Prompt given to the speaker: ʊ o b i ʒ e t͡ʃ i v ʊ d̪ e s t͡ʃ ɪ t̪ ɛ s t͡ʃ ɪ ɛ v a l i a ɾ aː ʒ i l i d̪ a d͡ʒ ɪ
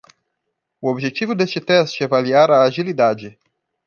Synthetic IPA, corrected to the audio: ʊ o b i ʒ e t͡ʃ i v ʊ d̪ e s t͡ʃ ɪ t̪ ɛ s t͡ʃ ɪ ɛ v a l i a ɾ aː ʒ i l i d̪ a d͡ʒ ɪ